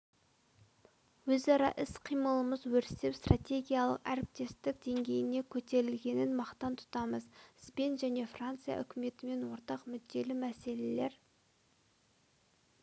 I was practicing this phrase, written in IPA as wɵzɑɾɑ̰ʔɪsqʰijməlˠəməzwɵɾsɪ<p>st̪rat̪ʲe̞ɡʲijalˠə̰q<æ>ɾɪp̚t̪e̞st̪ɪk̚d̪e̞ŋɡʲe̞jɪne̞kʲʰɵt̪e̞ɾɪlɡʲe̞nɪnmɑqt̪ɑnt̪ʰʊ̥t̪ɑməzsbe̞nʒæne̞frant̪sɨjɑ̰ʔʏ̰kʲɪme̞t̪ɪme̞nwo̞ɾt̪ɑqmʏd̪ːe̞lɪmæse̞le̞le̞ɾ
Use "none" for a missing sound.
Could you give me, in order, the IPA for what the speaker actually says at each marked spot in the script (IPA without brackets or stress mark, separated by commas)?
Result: p, æ